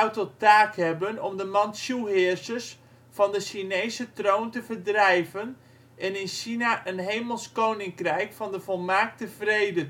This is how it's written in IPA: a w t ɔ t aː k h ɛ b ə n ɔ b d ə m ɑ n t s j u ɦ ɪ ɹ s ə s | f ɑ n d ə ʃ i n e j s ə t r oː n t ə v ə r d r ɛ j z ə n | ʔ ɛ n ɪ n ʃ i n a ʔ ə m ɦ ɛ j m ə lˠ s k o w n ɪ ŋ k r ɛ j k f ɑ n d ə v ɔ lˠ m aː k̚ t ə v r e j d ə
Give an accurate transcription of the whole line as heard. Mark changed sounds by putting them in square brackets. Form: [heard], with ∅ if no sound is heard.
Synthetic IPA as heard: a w t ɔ t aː k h ɛ b ə n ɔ [m] d ə m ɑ n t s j u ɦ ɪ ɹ s ə s | f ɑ n d ə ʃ i n e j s ə t r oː n t ə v ə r d r ɛ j [v] ə n | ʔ ɛ n ɪ n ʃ i n a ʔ ə [n] ɦ [e] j m ə lˠ s k o w n ɪ ŋ k r ɛ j k f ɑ n d ə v ɔ lˠ m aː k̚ t ə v r e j d ə

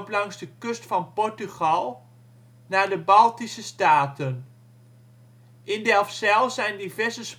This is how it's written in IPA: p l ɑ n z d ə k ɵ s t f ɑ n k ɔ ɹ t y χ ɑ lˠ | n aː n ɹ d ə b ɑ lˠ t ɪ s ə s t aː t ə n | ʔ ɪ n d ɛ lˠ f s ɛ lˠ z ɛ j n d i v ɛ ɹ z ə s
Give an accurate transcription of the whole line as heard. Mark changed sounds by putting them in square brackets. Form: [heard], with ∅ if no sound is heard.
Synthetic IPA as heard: p l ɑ [ŋ] z d ə k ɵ s t f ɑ n [p] ɔ ɹ t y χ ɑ lˠ | n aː [∅] ɹ d ə b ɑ lˠ t [i] s ə s t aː t ə n | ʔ ɪ n d ɛ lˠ f s ɛ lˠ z ɛ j n d i v ɛ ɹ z ə s

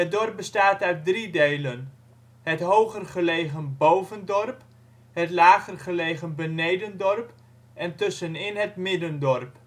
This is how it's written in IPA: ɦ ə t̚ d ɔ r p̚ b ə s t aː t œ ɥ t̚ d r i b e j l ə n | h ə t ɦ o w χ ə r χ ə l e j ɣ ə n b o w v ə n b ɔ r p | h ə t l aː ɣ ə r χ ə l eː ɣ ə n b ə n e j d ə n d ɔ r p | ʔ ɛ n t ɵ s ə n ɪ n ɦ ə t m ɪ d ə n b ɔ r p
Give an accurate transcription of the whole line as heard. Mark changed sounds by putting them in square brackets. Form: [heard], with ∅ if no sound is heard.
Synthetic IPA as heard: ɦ ə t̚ d ɔ r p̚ b ə s t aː t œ ɥ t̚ d r i [d] e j l ə n | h ə t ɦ o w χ ə r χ ə l e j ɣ ə n b o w v ə n [d] ɔ r p | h ə t l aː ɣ ə r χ ə l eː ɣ ə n b ə n e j d ə n d ɔ r p | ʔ ɛ n t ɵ s ə n ɪ n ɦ ə t m ɪ d ə n [d] ɔ r p

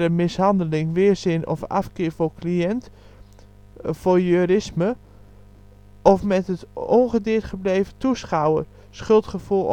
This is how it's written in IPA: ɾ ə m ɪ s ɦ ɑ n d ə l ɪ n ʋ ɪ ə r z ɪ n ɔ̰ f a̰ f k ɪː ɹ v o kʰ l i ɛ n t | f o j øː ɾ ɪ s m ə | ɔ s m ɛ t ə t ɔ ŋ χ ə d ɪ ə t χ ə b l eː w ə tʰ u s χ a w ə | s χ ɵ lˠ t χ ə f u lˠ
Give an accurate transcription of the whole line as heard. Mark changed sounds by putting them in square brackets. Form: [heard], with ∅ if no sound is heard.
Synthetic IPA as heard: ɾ ə m ɪ s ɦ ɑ n d ə l ɪ [ŋ] ʋ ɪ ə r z ɪ n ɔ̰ f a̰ f k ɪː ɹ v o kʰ l i ɛ n t | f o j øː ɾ ɪ s m ə | ɔ [f] m ɛ t ə t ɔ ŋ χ ə d ɪ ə t χ ə b l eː [v] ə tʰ u s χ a w ə | s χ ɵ lˠ t χ ə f u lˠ

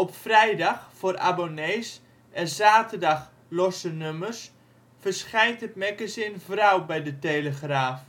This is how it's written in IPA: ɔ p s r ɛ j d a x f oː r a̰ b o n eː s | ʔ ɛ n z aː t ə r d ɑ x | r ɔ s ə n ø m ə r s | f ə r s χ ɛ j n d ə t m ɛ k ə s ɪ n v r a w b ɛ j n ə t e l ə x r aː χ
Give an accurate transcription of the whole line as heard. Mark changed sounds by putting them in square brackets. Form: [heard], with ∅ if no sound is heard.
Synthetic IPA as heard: ɔ p [f] r ɛ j d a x f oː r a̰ b o n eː s | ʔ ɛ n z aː t ə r d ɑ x | [l] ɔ s ə n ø m ə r s | f ə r s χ ɛ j n [t] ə t m ɛ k ə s ɪ n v r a w b ɛ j [d] ə t e l ə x r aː [f]

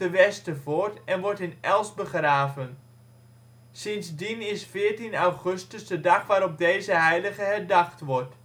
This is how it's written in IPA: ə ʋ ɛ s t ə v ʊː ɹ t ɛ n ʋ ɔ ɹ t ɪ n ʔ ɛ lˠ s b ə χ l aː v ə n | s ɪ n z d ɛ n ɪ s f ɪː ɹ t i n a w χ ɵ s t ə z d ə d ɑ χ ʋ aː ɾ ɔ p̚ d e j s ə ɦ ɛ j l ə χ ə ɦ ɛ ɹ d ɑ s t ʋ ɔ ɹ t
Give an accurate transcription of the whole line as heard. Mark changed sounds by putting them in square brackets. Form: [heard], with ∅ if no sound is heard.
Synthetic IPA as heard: ə ʋ ɛ s t ə v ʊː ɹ t ɛ n ʋ ɔ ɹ t ɪ n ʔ ɛ lˠ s b ə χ [r] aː v ə n | s ɪ n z d [i] n ɪ s f ɪː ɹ t i n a w χ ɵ s t ə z d ə d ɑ χ ʋ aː ɾ ɔ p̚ d e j [z] ə ɦ ɛ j l ə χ ə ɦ ɛ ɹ d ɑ [χ] t ʋ ɔ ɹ t

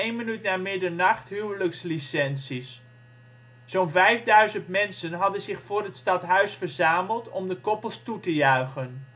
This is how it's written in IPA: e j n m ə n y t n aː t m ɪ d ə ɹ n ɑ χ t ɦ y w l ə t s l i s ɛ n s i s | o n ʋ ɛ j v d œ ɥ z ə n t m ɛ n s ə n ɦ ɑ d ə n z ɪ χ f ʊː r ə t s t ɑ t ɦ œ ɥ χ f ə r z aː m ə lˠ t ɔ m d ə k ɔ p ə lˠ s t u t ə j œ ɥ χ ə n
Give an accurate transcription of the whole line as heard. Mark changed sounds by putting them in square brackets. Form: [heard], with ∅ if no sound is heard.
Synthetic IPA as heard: e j n m ə n y t n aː [∅] m ɪ d ə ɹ n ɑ χ t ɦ y w l ə [k] s l i s ɛ n s i s | o n [v] ɛ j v d œ ɥ z ə n t m ɛ n s ə n ɦ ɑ d ə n z ɪ χ f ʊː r ə t s t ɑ t ɦ œ ɥ [s] f ə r z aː m ə lˠ t ɔ m d ə k ɔ p ə lˠ s t u t ə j œ ɥ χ ə n

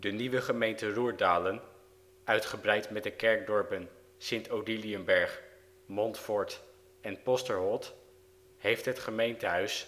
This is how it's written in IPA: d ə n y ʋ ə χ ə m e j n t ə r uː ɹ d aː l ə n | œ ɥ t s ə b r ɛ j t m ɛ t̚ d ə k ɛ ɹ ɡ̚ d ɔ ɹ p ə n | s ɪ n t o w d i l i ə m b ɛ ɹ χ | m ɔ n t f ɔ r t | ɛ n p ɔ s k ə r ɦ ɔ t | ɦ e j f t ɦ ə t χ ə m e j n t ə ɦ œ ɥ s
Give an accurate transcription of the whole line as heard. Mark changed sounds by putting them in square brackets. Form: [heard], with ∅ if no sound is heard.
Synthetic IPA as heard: d ə n [i] ʋ ə χ ə m e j n t ə r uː ɹ d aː l ə n | œ ɥ t [χ] ə b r ɛ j t m ɛ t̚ d ə k ɛ ɹ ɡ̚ d ɔ ɹ p ə n | s ɪ n t o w d i l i ə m b ɛ ɹ χ | m ɔ n t f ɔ [ɹ] t | ɛ n p ɔ s [t] ə [ɹ] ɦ ɔ t | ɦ e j f t ɦ ə t χ ə m e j n t ə ɦ œ ɥ s

